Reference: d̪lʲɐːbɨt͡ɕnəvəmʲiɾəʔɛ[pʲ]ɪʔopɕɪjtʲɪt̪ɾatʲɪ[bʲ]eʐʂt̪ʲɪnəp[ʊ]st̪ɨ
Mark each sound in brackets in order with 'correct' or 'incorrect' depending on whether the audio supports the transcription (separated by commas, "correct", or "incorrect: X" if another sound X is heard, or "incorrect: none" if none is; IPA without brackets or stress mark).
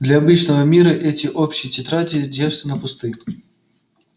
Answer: incorrect: tʲ, incorrect: dʲ, correct